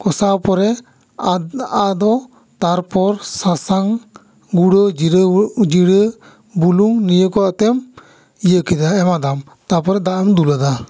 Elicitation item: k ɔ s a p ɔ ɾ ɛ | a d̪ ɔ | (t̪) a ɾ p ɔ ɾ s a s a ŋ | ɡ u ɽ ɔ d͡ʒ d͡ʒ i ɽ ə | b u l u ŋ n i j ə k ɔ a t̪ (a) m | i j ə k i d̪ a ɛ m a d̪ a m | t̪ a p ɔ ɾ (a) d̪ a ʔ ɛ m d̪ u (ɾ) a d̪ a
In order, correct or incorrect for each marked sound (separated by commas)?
correct, incorrect, incorrect, incorrect